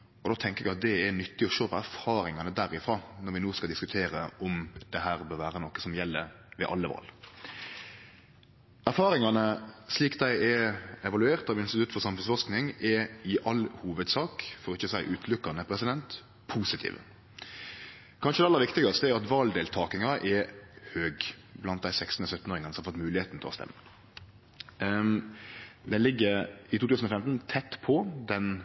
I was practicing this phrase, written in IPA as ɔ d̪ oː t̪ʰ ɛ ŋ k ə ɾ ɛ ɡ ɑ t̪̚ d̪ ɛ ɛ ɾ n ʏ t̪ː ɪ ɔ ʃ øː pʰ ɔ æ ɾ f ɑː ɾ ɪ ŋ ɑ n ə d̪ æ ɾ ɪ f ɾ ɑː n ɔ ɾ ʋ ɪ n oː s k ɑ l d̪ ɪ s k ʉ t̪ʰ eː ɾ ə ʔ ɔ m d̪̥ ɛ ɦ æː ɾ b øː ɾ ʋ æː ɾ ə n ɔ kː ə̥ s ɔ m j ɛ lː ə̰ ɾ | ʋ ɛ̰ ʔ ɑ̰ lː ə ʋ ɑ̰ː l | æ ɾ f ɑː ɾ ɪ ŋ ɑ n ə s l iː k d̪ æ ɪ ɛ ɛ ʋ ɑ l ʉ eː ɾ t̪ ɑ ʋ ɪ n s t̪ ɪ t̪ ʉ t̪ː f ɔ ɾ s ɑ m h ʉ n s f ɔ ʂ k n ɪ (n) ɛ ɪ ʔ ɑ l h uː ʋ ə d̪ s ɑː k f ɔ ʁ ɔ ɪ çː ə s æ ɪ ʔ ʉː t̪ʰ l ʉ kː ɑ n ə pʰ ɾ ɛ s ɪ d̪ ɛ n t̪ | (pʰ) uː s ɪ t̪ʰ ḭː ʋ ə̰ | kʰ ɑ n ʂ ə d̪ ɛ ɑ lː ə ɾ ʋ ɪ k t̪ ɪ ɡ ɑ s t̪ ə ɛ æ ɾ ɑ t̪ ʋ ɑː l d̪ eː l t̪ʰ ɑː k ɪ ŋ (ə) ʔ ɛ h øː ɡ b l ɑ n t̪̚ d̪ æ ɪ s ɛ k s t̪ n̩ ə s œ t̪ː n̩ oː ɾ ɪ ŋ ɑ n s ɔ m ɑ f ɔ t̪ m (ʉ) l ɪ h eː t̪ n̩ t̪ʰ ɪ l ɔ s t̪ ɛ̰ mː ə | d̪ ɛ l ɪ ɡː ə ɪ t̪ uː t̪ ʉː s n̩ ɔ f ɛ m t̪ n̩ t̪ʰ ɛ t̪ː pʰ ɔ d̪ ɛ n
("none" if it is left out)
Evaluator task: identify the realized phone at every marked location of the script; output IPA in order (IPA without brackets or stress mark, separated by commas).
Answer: ŋ, pʰ, ɑ, ʉː